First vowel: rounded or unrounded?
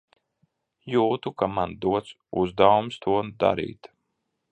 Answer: rounded